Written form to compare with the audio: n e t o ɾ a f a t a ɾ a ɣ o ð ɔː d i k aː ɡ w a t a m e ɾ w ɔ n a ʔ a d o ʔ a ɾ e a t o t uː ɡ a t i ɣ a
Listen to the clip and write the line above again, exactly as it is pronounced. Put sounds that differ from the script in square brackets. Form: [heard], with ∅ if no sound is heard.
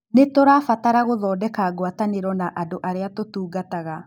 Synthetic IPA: n e t o ɾ a f a t a ɾ a ɣ o ð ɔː d [ɛ] k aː ɡ w a t a [n] e ɾ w ɔ n a ʔ a d o ʔ a ɾ e a t o t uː ɡ a t [a] ɣ a